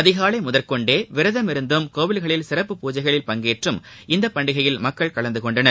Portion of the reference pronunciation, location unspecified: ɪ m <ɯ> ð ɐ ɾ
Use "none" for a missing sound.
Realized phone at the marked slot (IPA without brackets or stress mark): ʊ